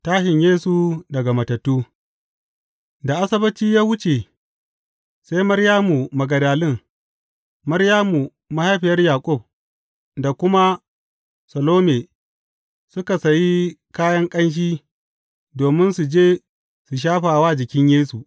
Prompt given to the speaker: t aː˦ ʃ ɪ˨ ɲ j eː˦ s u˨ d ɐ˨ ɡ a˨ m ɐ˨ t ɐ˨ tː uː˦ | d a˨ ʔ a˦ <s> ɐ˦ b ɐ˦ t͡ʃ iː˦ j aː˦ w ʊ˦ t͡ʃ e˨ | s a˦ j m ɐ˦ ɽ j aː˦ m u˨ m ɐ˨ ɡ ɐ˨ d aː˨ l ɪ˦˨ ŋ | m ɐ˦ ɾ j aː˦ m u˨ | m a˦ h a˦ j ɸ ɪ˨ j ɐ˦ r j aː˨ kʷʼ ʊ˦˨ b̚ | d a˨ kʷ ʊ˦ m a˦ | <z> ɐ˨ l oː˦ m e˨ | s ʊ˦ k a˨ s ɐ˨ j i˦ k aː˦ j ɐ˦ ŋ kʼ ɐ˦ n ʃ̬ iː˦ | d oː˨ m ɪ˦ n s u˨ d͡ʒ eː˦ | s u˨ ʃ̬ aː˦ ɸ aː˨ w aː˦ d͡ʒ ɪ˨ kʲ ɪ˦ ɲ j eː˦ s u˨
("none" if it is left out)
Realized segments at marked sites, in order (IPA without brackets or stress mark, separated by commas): s, s